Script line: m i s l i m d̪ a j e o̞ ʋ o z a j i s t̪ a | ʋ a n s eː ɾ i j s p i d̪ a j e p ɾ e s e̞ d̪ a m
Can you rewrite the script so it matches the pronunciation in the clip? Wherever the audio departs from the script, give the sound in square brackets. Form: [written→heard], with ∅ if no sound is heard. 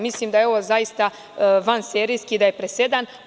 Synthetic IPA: m i s l i m d̪ a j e o̞ ʋ o z a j i s t̪ a | ʋ a n s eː ɾ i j s [p→k] i d̪ a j e p ɾ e s e̞ d̪ a [m→n]